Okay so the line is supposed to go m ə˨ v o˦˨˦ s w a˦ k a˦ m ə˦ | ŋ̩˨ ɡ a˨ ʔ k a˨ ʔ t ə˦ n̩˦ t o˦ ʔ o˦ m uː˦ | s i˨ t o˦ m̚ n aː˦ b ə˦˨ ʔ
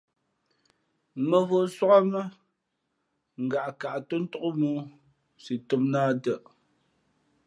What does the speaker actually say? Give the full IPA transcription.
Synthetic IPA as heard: m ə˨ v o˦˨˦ s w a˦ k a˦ m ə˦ | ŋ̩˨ ɡ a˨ ʔ k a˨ ʔ t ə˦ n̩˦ t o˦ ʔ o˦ m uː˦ | s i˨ t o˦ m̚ n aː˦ d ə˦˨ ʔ